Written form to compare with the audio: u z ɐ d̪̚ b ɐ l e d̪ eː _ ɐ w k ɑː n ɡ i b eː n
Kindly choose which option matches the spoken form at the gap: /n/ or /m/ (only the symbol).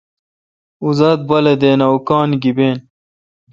n